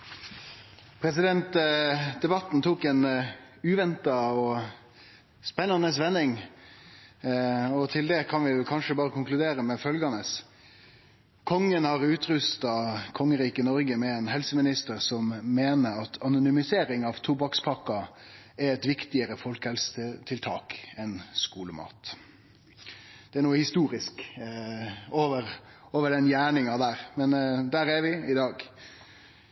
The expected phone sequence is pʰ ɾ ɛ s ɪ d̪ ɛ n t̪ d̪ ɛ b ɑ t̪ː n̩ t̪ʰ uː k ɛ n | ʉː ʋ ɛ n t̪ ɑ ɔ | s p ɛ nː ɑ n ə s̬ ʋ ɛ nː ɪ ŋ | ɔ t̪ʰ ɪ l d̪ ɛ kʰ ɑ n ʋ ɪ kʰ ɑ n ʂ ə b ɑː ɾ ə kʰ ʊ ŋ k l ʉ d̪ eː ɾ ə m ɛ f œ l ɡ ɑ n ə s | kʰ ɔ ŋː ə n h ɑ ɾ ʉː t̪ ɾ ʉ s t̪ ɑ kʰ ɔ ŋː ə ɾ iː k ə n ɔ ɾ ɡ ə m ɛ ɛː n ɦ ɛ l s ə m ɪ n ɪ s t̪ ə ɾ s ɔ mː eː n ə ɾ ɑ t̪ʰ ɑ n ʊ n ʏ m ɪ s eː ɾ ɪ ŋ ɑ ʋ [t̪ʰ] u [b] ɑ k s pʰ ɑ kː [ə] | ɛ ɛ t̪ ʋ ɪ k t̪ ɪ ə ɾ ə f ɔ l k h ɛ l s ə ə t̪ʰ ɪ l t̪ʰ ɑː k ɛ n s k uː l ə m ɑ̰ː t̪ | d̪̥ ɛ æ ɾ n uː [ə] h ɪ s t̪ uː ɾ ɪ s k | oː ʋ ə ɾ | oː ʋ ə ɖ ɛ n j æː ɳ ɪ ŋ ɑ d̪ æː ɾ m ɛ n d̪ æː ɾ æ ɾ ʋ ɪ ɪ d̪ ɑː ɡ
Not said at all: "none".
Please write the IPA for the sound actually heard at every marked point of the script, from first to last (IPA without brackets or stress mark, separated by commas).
t̪ʰ, b, ɑ, ə